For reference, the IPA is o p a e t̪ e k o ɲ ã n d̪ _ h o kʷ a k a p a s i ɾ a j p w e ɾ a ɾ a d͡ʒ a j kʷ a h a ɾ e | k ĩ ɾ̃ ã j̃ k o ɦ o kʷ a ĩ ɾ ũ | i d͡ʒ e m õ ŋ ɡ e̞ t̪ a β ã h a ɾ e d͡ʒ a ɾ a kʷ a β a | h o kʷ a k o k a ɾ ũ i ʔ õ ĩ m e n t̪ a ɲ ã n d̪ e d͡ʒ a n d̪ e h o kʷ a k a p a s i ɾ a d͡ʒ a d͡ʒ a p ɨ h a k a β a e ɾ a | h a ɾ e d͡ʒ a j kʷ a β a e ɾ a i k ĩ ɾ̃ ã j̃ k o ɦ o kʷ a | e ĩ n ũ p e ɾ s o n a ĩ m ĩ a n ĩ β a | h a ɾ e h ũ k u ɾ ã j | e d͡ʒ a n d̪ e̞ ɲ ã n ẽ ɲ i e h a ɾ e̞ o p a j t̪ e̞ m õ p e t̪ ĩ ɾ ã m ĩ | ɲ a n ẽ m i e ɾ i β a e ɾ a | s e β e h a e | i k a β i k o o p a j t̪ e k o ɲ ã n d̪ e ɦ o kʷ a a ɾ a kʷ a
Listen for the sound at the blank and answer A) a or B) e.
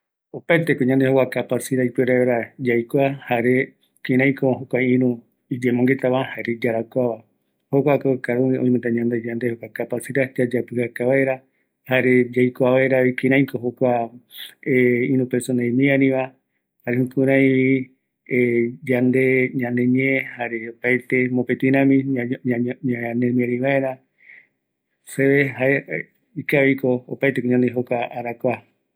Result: B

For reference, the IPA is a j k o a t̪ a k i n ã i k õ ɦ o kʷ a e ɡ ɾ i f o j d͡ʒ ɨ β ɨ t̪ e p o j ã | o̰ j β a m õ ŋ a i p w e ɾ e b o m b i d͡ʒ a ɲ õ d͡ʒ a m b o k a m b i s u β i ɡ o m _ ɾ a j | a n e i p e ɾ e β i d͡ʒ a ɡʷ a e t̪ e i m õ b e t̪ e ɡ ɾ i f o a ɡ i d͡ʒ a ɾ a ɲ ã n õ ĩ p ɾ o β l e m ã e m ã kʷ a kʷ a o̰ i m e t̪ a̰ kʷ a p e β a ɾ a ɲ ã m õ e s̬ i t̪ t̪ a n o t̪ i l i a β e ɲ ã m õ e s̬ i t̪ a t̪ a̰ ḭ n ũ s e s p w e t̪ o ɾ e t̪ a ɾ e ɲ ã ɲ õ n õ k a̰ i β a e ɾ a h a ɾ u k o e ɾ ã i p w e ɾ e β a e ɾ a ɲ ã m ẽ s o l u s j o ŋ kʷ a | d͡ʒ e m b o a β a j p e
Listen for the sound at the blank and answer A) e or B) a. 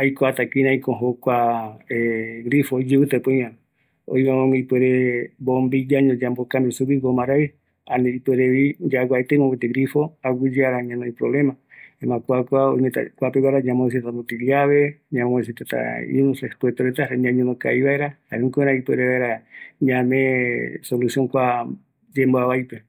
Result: B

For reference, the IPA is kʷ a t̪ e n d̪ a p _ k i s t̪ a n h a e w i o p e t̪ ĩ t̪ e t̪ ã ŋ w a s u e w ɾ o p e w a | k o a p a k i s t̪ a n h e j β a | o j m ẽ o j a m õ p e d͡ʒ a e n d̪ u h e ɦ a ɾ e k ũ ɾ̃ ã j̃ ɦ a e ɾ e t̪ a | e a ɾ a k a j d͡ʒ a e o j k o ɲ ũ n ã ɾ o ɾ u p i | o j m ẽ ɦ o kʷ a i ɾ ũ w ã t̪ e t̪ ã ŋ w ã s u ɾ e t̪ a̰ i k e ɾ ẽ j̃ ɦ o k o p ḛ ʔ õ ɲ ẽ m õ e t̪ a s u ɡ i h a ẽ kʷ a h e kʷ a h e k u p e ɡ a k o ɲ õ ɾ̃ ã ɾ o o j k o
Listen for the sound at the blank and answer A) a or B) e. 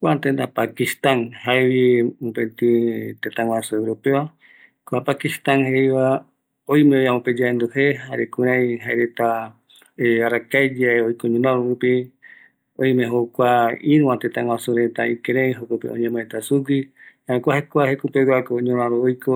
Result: A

